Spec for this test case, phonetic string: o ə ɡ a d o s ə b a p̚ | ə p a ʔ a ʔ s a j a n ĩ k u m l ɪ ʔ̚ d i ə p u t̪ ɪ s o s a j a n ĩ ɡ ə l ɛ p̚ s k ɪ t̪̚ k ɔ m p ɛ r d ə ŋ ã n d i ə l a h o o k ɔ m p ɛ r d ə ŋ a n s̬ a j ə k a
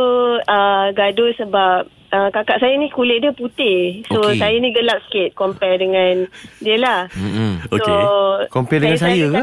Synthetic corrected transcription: o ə ɡ a d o s ə b a p̚ | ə k a k a ʔ s a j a n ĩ k u l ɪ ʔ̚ d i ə p u t̪ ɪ s o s a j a n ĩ ɡ ə l a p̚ s k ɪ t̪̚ k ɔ m p ɛ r d ə ŋ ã n d i ə l a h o o k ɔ m p ɛ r d ə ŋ a n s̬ a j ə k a